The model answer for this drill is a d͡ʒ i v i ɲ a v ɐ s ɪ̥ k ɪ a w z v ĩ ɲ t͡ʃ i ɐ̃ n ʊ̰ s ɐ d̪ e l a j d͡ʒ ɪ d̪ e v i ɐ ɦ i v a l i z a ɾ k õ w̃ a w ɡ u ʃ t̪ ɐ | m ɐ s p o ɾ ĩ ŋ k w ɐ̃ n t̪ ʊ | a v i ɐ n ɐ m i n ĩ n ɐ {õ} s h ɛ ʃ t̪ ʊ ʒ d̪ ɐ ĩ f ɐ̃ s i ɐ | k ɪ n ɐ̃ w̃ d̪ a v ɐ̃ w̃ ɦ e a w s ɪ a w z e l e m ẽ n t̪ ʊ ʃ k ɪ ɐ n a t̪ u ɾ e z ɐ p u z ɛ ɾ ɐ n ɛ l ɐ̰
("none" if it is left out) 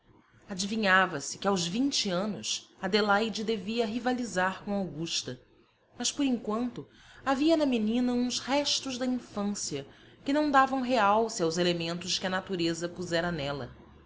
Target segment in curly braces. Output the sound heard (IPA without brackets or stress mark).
ũ